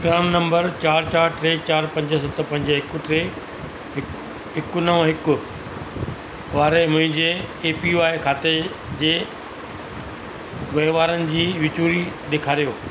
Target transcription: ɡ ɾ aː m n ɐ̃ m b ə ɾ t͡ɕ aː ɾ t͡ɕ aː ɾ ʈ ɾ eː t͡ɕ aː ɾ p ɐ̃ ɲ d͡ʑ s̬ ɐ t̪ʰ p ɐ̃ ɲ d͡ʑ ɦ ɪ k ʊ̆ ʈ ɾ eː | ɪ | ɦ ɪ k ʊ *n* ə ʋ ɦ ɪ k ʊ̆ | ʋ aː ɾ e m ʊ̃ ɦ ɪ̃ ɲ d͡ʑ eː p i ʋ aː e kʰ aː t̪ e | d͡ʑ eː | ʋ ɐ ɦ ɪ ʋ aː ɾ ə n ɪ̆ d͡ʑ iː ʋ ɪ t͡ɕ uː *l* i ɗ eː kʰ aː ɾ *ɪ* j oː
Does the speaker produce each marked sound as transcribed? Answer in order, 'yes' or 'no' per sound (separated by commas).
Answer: yes, no, no